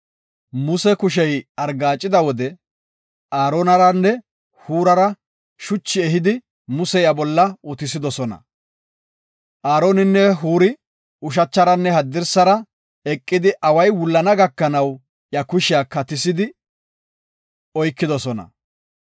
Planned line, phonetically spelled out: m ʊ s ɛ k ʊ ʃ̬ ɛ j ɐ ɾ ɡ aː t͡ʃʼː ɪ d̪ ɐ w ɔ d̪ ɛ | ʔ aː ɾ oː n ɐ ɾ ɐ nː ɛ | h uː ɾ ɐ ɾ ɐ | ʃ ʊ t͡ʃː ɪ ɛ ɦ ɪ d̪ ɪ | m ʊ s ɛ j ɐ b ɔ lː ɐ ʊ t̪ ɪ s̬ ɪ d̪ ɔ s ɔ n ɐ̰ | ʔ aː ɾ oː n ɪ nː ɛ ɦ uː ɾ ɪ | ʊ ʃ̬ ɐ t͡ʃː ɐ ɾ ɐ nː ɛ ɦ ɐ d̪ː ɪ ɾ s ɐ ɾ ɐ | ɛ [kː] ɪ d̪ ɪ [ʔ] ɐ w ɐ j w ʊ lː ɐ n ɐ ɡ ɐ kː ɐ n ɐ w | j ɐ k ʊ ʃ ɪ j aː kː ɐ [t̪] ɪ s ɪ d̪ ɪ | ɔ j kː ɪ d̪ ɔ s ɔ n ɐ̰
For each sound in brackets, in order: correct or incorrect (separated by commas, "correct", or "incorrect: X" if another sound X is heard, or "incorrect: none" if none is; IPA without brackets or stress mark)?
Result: incorrect: kʼː, correct, correct